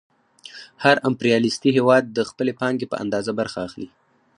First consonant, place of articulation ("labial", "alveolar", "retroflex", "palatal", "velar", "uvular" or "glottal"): glottal